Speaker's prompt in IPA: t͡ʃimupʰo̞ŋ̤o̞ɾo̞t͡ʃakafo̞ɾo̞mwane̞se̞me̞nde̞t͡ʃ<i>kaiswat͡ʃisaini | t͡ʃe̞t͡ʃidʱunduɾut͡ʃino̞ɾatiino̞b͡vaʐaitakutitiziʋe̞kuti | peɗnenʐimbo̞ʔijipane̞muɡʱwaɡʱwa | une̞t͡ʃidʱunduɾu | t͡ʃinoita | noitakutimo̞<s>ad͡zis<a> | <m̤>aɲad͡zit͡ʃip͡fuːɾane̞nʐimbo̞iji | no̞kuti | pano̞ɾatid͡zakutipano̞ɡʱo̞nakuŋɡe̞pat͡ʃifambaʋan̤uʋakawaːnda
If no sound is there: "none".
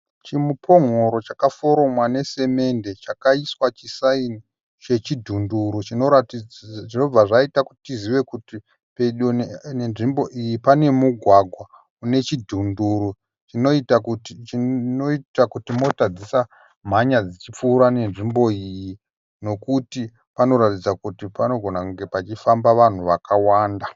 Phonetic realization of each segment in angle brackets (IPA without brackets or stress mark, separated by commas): a, t, a, m̤